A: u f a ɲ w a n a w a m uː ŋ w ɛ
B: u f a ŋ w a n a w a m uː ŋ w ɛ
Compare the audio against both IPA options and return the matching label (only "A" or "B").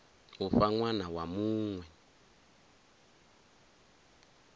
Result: B